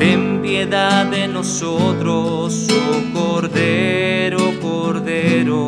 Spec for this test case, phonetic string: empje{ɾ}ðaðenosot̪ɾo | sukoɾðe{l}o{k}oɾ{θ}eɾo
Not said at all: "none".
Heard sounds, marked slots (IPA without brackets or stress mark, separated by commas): none, ɾ, k, ð